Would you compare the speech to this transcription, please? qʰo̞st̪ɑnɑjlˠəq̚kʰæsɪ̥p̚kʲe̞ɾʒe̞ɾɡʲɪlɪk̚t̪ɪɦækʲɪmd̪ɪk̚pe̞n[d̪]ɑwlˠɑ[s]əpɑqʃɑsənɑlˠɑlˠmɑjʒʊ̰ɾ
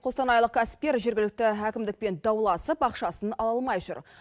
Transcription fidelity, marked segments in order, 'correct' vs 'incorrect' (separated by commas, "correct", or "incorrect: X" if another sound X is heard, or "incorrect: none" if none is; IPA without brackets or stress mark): correct, correct